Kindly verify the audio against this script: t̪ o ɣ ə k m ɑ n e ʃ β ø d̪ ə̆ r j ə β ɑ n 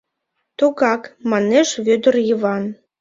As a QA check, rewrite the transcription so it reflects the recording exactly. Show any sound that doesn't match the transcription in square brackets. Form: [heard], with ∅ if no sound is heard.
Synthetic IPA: t̪ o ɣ [ɑ] k m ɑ n e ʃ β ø d̪ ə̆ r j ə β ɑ n